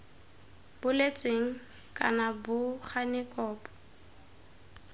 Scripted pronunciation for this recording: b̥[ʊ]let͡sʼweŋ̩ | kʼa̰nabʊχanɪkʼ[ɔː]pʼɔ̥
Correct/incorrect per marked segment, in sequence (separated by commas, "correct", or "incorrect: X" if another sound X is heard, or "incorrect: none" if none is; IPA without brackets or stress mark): correct, correct